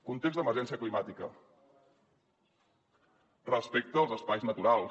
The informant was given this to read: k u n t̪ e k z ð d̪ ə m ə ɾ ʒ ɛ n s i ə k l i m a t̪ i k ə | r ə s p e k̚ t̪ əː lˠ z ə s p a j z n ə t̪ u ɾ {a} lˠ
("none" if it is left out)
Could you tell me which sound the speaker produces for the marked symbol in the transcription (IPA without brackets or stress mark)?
a